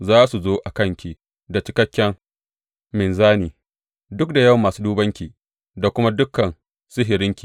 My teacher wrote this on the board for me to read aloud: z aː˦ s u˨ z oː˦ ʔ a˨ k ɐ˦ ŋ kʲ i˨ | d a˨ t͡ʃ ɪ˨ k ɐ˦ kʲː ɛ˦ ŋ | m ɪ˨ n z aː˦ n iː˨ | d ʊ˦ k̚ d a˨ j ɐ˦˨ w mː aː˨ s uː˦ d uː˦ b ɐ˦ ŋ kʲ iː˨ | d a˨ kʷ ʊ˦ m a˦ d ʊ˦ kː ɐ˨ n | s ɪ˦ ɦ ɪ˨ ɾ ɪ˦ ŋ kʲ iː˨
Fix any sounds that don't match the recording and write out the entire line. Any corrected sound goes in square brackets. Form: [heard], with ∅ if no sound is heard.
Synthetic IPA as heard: z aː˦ s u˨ z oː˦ ʔ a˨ k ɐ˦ ŋ kʲ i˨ | d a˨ t͡ʃ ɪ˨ k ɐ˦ kʲː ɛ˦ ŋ | m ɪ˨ n z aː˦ n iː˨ | d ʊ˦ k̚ d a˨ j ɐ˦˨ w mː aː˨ s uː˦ d uː˦ b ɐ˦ ŋ kʲ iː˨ | d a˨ kʷ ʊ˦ m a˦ d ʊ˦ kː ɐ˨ n | s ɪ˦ ɦ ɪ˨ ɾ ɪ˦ ŋ kʲ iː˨